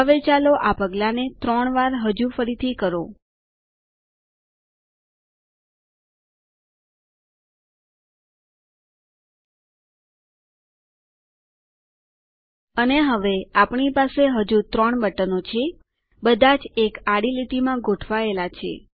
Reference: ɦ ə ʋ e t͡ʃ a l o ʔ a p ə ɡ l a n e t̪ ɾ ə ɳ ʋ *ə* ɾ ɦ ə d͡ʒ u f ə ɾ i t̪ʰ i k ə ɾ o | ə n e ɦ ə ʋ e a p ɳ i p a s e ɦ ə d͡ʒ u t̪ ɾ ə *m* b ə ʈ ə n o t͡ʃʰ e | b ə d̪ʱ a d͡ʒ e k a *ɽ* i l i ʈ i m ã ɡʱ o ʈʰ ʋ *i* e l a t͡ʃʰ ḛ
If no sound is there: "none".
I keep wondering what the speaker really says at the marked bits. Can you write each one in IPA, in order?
a, ɳ, ɽ, a

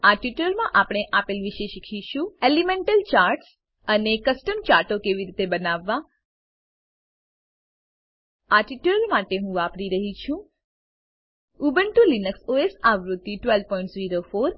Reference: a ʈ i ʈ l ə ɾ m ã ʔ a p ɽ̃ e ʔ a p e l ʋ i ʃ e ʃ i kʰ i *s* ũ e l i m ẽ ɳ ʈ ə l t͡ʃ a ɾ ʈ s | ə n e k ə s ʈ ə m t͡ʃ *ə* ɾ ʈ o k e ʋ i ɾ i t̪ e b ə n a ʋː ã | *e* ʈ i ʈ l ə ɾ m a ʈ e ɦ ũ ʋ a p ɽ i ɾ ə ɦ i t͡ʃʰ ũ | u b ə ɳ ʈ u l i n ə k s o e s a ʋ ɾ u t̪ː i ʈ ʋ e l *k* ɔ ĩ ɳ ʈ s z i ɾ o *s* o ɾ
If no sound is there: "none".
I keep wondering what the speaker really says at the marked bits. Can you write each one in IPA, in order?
ʃ, a, a, p, f

